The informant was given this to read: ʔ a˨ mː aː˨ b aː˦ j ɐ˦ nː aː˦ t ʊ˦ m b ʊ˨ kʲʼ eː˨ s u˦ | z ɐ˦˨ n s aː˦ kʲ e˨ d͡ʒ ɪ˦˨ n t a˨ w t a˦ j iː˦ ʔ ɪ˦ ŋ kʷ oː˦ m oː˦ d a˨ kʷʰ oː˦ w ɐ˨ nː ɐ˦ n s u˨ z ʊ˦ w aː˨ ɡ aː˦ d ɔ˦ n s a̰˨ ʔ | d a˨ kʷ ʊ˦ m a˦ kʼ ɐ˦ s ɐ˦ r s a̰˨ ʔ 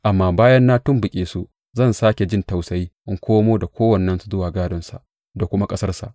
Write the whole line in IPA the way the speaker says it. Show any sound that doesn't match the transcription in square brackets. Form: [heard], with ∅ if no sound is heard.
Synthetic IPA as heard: ʔ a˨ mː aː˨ b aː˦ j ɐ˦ nː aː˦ t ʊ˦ m b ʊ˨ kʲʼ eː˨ s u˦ | z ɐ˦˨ n s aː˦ kʲ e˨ d͡ʒ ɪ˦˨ n t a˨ w [s] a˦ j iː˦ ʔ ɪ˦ ŋ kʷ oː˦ m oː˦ d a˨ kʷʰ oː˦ w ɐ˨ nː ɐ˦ n s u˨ z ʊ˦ w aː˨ ɡ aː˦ d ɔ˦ n s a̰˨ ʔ | d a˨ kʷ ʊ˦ m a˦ kʼ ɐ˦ s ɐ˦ r s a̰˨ ʔ